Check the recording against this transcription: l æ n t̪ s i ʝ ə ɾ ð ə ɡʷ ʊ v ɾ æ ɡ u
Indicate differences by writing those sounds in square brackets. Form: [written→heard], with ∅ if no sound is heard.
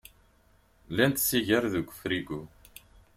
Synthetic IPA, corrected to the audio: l æ n t̪ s i ʝ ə ɾ ð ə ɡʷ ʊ [v→f] ɾ [æ→i] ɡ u